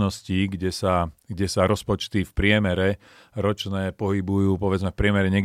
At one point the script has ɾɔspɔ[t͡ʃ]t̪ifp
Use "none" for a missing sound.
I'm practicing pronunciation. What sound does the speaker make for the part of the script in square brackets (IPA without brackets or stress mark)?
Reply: t͡ʃ